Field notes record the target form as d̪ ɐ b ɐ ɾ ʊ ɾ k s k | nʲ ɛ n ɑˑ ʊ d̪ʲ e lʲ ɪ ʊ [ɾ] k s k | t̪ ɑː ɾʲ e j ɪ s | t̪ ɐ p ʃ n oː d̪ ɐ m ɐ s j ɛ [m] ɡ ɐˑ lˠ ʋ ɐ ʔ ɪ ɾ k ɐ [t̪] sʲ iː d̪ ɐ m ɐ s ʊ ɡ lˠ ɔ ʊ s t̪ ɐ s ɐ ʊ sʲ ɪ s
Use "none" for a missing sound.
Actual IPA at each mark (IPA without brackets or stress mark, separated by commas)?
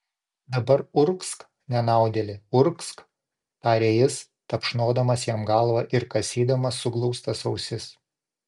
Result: ɾ, m, none